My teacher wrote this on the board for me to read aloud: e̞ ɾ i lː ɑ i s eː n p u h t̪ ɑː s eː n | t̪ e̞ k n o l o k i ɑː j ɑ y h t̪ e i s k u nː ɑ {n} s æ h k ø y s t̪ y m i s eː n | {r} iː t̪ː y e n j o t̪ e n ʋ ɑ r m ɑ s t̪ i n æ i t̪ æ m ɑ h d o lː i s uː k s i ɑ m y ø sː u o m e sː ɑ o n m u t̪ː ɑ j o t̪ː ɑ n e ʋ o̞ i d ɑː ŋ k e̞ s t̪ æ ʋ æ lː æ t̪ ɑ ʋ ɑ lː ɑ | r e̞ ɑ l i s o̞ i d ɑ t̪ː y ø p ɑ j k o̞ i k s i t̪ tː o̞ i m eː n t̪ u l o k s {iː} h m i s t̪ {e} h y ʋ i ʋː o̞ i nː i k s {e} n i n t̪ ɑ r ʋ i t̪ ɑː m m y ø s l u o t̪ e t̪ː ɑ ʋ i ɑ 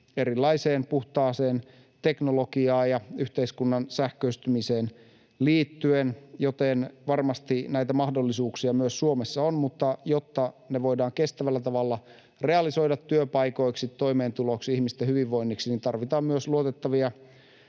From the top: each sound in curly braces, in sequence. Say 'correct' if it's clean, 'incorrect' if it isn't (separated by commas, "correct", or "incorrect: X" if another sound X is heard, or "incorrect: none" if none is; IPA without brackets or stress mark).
correct, incorrect: l, incorrect: i, correct, incorrect: i